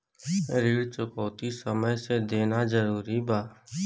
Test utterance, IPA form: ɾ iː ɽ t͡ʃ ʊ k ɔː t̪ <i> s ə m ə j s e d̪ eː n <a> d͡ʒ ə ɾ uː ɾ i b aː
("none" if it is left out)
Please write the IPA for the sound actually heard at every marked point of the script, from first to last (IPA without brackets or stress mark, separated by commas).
i, a